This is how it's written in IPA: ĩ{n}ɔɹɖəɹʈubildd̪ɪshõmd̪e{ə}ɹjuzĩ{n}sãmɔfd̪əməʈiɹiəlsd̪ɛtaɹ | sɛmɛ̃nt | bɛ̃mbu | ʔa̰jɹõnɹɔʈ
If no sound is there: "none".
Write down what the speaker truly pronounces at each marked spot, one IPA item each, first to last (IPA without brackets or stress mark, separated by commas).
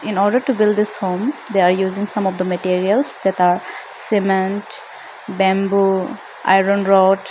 n, a, ŋ